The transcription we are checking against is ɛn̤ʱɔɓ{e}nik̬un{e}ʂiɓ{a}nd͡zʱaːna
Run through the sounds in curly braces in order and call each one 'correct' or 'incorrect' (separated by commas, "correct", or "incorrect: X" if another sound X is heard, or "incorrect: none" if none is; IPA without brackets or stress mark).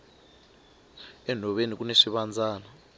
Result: correct, correct, correct